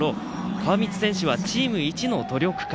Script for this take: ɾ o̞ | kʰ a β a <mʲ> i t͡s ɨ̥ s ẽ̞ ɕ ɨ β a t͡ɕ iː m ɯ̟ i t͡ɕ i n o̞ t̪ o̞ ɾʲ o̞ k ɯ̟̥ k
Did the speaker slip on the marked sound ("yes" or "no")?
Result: no